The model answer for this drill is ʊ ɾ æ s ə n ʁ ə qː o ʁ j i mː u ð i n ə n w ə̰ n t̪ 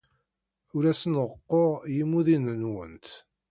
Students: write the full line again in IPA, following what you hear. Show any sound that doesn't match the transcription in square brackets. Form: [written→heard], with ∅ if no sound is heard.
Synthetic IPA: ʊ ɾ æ s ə n ʁ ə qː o ʁ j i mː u ð i n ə n w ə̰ n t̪